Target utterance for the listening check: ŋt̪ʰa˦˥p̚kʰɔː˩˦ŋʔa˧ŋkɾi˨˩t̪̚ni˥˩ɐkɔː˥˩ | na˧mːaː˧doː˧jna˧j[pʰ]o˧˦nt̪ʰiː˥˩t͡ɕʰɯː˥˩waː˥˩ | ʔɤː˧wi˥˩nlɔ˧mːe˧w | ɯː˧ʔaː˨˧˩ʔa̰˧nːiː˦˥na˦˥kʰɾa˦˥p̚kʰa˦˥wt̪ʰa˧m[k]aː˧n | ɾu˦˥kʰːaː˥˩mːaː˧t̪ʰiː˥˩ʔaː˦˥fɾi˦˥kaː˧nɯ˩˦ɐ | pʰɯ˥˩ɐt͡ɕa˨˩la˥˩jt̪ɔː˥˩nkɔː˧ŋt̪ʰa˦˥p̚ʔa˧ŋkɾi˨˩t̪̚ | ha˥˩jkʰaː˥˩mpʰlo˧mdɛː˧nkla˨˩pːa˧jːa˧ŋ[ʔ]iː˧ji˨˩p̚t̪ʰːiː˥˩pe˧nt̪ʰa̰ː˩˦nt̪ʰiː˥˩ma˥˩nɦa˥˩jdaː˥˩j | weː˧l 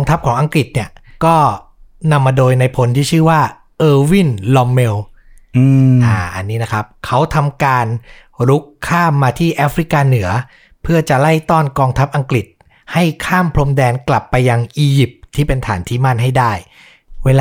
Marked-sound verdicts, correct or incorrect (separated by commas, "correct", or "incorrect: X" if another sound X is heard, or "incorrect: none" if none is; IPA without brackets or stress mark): correct, correct, correct